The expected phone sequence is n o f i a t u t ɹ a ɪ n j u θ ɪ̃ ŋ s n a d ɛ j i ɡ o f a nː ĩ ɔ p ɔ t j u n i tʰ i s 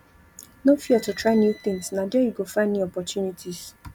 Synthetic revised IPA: n o f i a t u t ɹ a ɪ n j u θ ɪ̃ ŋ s n a d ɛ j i ɡ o f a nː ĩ ɔ p ɔ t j u n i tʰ i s